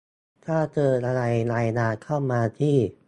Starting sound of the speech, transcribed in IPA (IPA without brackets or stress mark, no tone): t̪ʰ